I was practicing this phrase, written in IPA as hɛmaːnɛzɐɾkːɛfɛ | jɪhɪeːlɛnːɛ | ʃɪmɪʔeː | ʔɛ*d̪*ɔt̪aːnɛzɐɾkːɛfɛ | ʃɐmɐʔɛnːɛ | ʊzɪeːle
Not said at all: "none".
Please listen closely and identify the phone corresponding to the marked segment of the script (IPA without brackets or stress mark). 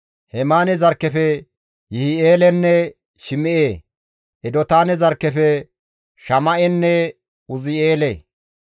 d̪